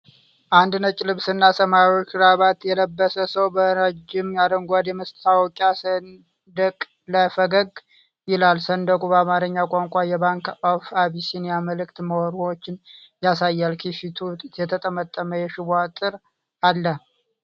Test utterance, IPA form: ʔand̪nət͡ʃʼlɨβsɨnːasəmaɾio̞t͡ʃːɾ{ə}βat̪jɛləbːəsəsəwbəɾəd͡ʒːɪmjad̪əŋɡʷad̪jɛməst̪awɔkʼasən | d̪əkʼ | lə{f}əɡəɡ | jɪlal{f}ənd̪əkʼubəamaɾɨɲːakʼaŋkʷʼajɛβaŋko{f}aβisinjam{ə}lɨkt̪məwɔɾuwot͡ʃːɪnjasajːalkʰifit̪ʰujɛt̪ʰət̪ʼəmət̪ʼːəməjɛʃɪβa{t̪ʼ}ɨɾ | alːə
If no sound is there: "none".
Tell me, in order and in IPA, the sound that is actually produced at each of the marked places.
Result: a, f, s, f, ə, t̪ʼ

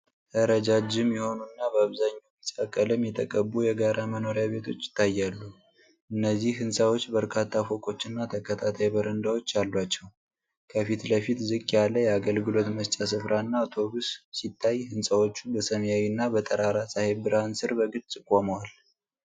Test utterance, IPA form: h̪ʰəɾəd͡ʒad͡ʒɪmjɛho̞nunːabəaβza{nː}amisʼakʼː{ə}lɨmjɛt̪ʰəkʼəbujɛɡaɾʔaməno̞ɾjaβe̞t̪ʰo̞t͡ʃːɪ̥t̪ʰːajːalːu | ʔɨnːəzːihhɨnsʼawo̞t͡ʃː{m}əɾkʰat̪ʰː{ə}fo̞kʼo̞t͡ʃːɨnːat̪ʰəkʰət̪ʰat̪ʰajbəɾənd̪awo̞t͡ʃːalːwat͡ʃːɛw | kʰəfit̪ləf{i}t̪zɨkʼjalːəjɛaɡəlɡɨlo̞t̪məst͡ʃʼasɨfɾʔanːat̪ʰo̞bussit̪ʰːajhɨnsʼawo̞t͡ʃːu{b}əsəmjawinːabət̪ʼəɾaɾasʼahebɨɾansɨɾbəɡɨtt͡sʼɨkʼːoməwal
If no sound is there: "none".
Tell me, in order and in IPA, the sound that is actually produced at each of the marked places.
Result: ɲː, ə, b, a, i, b

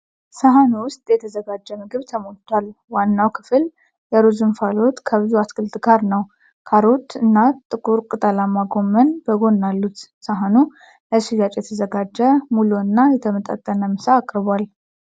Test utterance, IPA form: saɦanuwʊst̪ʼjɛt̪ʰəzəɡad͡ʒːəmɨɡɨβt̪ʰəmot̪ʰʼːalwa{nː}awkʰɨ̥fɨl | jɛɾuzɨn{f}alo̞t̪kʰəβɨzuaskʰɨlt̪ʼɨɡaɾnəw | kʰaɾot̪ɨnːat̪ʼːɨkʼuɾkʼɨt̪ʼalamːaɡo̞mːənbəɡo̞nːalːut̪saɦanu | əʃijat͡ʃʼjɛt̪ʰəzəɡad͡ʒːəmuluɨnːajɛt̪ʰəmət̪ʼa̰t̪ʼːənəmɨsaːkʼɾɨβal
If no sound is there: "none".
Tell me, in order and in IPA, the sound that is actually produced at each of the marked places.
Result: nː, f

